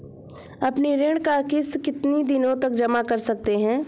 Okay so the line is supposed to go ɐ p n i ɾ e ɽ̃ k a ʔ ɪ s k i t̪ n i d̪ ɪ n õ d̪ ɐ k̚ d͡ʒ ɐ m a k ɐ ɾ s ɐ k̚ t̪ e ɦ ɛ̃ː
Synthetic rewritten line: ɐ p n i ɾ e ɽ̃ k a k ɪ s k ɪ t̪ n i d̪ ɪ n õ t̪ ɐ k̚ d͡ʒ ɐ m a k ɐ ɾ s ɐ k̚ t̪ e ɦ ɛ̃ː

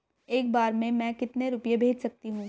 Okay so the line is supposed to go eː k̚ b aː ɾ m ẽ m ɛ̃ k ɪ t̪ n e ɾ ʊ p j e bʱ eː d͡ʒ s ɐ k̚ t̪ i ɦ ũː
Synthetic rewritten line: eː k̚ b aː ɾ m ẽ m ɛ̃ k ɪ t̪ n e ɾ ʊ p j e bʱ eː d͡ʒ s ɐ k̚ t̪ i ɦ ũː

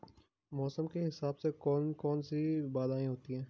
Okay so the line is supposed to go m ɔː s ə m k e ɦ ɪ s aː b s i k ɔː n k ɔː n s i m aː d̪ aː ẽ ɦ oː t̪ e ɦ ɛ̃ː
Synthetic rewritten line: m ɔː s ə m k e ɦ ɪ s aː b s e k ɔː n k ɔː n s i b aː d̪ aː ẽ ɦ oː t̪ i ɦ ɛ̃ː

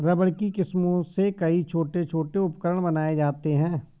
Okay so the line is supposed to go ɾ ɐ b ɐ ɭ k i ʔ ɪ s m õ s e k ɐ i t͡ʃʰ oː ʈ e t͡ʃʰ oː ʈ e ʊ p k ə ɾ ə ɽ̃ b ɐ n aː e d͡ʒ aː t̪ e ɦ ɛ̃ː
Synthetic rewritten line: ɾ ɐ b ə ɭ k i k ɪ s m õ s e k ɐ i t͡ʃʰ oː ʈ e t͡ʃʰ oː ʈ e ʊ p k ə ɾ ə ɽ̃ b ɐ n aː e d͡ʒ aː t̪ e ɦ ɛ̃ː

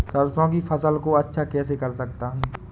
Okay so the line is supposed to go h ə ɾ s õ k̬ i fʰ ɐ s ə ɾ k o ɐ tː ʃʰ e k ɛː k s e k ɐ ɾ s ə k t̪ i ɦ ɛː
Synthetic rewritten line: s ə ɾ s õ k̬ i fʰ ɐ s ə l k o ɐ tː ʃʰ a k ɛː s e k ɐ ɾ s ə k t̪ a ɦ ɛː

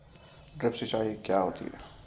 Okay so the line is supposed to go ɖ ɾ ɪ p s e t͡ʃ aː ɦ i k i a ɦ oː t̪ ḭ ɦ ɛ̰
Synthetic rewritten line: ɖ ɾ ɪ p s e t͡ʃ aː ɦ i k j a ɦ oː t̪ ḭ ɦ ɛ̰

